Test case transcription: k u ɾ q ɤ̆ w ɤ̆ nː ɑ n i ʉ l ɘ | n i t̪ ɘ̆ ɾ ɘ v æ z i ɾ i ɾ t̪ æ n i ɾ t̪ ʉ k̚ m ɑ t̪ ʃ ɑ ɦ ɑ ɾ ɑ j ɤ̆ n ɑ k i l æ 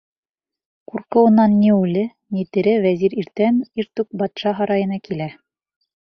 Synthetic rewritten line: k u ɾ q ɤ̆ w ɤ̆ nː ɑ nː i ʉ l ɘ | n i t̪ ɘ̆ ɾ ɘ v æ z i ɾ i ɾ t̪ æ n i ɾ t̪ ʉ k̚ b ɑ t̪ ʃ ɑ ɦ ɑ ɾ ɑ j ɤ̆ n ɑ k i l æ

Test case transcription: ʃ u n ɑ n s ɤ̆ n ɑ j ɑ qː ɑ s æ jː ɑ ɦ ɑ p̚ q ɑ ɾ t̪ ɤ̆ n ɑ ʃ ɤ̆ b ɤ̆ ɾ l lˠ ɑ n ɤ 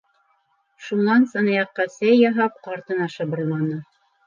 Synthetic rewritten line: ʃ u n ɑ n s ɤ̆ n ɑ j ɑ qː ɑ s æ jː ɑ ɦ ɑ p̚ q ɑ ɾ t̪ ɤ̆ n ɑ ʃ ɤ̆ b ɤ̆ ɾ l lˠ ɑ n ɤ

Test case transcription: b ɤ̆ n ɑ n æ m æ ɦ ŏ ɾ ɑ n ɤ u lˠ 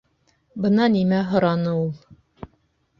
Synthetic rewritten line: b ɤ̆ n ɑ n i m æ ɦ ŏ ɾ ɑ n ɤ u lˠ

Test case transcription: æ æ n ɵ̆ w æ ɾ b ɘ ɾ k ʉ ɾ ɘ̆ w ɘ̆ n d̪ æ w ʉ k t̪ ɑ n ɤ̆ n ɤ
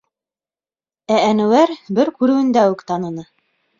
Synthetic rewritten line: æ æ n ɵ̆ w æ ɾ b ɘ ɾ k ʉ ɾ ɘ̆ w ɘ̆ n d̪ æ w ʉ k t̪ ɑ n ɤ̆ n ɤ

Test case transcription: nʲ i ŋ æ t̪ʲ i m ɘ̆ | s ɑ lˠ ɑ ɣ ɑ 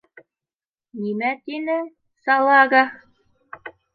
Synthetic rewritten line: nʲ i m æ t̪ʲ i n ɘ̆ | s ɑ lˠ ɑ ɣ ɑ

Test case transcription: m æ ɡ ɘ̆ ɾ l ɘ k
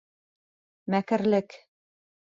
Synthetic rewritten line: m æ k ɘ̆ ɾ l ɘ k

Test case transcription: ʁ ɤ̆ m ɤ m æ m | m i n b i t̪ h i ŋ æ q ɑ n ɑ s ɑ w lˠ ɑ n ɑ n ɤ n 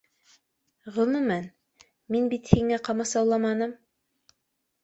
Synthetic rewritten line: ʁ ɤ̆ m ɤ m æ n | m i n b i t̪ h i ŋ æ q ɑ m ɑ s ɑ w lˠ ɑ m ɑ n ɤ m

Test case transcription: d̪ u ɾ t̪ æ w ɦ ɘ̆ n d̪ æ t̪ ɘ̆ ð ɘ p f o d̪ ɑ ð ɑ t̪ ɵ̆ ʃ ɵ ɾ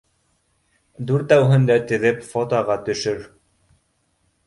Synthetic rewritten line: d̪ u ɾ t̪ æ w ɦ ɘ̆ n d̪ æ t̪ ɘ̆ ð ɘ p f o t̪ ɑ ʁ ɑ t̪ ɵ̆ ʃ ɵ ɾ

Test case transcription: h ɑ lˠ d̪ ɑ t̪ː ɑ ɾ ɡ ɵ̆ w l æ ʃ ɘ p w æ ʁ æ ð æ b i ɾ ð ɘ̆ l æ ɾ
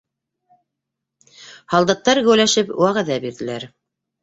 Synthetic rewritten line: h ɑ lˠ d̪ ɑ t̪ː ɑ ɾ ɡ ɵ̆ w l æ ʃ ɘ p w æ ʁ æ ð æ b i ɾ ð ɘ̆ l æ ɾ

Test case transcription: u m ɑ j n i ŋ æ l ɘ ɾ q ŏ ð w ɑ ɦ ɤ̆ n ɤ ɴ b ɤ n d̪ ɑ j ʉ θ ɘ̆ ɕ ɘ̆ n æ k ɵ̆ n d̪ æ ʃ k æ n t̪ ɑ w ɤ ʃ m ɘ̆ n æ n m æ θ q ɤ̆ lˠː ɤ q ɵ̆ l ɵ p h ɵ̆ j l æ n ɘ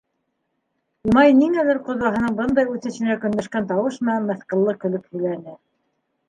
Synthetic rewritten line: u m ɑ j n i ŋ æ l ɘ ɾ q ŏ ð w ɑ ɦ ɤ̆ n ɤ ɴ b ɤ n d̪ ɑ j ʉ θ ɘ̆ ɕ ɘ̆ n æ k ɵ̆ n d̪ æ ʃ k æ n t̪ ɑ w ɤ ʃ m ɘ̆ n æ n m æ θ q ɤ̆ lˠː ɤ k ɵ̆ l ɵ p h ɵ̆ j l æ n ɘ

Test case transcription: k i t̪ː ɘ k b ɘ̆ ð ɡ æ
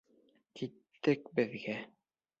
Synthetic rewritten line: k i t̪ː ɘ k b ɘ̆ ð ɡ æ

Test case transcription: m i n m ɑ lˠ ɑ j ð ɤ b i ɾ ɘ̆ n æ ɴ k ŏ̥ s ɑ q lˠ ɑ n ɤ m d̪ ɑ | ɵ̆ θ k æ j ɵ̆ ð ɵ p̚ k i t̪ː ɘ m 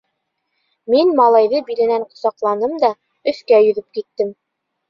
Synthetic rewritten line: m i n m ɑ lˠ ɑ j ð ɤ b i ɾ ɘ̆ n æ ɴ q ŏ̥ s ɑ q lˠ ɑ n ɤ m d̪ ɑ | ɵ̆ θ k æ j ɵ̆ ð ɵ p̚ k i t̪ː ɘ m

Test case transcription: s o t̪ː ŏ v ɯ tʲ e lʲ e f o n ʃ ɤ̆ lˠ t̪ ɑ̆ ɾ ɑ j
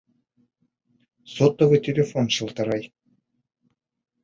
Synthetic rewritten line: s o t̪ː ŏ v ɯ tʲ e lʲ e f o n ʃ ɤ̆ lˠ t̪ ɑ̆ ɾ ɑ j

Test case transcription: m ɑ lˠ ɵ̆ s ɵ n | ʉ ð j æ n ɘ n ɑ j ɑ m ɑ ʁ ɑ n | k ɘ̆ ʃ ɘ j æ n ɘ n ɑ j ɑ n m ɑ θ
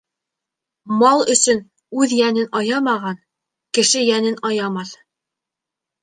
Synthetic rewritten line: m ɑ lˠ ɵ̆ s ɵ n | ʉ ð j æ n ɘ n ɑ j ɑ m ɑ ʁ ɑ n | k ɘ̆ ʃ ɘ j æ n ɘ n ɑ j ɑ m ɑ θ

